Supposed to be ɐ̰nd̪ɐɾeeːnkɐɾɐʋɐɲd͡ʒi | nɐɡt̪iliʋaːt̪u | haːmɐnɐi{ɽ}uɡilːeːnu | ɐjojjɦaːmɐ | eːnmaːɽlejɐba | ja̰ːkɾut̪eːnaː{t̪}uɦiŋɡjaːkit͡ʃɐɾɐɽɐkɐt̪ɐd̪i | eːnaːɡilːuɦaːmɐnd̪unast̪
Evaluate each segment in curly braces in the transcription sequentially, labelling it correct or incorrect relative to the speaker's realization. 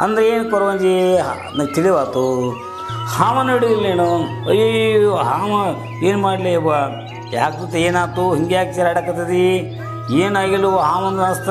correct, correct

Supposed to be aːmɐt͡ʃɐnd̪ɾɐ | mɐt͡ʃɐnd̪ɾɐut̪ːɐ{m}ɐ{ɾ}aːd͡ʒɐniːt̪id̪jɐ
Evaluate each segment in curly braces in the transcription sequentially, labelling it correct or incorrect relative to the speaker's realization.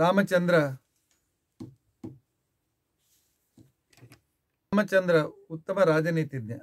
correct, correct

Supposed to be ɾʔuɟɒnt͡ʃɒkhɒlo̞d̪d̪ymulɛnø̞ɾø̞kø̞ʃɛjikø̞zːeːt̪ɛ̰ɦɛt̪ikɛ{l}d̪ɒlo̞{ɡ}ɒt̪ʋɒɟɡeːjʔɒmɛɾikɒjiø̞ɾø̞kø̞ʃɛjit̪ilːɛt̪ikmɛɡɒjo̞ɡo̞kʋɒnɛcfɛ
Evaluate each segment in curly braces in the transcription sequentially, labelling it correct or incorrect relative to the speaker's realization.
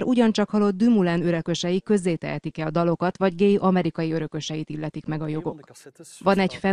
correct, incorrect: k

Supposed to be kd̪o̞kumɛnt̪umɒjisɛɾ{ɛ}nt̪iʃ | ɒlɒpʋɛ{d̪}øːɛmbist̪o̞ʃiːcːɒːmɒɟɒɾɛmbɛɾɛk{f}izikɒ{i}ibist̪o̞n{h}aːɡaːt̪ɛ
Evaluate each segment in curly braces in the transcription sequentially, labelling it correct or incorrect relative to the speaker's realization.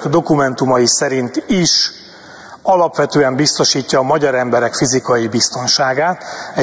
incorrect: i, incorrect: t̪, correct, incorrect: j, incorrect: ʃ

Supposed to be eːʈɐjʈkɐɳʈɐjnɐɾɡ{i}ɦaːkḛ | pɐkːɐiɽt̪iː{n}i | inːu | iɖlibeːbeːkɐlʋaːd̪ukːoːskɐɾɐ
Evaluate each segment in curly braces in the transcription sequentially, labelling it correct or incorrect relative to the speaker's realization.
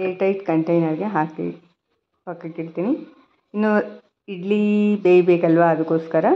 incorrect: e, correct

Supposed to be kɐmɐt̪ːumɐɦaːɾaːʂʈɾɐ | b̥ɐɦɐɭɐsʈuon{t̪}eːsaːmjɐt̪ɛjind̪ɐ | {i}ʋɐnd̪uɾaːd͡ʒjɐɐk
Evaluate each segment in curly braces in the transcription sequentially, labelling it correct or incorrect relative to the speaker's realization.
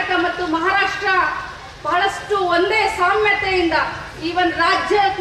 incorrect: d̪, incorrect: iː

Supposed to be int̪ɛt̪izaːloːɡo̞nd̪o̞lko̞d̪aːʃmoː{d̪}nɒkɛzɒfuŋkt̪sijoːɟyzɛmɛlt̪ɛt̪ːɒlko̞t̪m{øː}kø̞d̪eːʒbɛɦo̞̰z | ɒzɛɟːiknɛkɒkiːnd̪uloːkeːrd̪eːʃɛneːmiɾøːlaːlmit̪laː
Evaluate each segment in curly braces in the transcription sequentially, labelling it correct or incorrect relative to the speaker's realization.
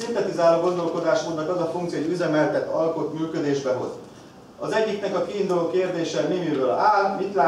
correct, incorrect: yː

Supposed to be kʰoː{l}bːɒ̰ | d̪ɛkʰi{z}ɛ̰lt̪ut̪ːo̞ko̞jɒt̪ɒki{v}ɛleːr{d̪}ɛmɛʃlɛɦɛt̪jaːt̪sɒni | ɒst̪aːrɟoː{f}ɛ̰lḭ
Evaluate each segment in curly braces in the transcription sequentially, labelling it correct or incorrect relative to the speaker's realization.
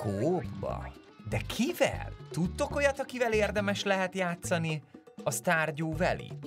incorrect: none, incorrect: v, correct, correct, incorrect: v

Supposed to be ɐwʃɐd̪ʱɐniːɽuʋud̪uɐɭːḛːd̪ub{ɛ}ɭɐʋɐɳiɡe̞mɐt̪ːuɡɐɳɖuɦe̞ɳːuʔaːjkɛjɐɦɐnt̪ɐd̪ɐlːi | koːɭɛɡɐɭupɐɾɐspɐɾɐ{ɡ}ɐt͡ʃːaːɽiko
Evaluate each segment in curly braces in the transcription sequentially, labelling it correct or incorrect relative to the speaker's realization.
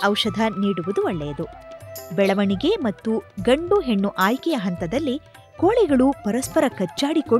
correct, incorrect: k

